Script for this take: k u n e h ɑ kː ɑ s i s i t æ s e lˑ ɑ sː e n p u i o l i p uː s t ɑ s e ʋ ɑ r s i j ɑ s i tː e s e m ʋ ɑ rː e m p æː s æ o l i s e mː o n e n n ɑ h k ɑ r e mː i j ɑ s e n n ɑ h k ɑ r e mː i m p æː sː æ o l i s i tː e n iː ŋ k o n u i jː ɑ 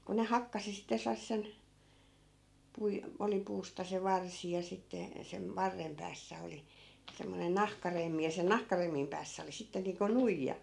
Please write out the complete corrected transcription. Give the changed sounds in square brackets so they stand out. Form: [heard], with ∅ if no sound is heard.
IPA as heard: k u n e h ɑ kː ɑ s i s i t æ s e lˑ ɑ sː e n p u i o l i p uː s t ɑ s e ʋ ɑ r s i j ɑ s i tː e s e m ʋ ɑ rː e m p æː [sː] æ o l i s e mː o n e n n ɑ h k ɑ r e mː i j ɑ s e n n ɑ h k ɑ r e mː i m p æː sː æ o l i s i tː e n iː ŋ k o n u i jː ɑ

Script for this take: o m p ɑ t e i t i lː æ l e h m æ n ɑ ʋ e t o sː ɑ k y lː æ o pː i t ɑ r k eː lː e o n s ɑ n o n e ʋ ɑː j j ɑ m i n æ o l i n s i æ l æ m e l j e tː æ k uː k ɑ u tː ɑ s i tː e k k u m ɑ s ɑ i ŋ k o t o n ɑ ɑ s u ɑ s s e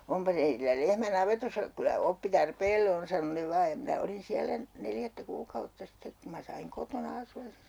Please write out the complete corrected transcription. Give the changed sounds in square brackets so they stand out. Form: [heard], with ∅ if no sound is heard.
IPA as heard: o m p ɑ t e i t i lː æ l e h m æ n ɑ ʋ e t o sː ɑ k y [l] æ o pː i t ɑ r [p] eː lː e o n s ɑ n o n e ʋ ɑː j j ɑ m i n æ o l i n s i æ l æ [n] e l j [æ] tː æ k uː k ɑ u tː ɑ s i tː e k k u m ɑ s ɑ i ŋ k o t o n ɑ ɑ s u ɑ s s e

